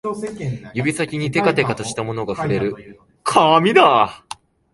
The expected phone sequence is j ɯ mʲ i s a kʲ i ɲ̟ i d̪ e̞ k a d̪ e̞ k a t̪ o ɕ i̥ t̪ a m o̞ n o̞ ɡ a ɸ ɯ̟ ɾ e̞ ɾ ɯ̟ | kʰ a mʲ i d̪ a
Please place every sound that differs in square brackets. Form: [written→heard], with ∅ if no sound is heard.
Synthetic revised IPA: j ɯ [mʲ→bʲ] i s a kʲ i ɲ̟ i [d̪→t̪] e̞ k a [d̪→t̪] e̞ k a t̪ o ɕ i̥ t̪ a m o̞ n o̞ ɡ a ɸ ɯ̟ ɾ e̞ ɾ ɯ̟ | kʰ a mʲ i d̪ a